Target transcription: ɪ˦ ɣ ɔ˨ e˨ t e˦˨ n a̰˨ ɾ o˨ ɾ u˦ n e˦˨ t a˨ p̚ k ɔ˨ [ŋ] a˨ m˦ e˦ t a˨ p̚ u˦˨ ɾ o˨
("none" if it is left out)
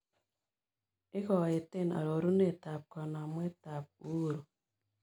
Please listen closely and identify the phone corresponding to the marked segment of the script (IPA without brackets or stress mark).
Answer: n